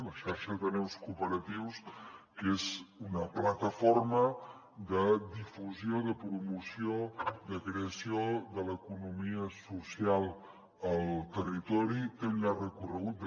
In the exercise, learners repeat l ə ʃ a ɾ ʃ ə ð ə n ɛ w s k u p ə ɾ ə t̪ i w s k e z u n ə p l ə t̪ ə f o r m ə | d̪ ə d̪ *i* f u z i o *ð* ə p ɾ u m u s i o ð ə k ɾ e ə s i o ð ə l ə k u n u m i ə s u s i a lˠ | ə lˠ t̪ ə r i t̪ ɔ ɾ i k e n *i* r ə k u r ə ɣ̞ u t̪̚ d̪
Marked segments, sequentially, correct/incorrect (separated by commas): correct, correct, incorrect